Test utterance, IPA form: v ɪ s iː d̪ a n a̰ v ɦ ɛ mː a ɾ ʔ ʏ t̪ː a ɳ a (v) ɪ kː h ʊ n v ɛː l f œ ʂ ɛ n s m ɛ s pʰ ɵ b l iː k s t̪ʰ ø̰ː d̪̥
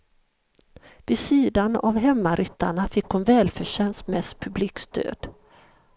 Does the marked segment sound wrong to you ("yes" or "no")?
yes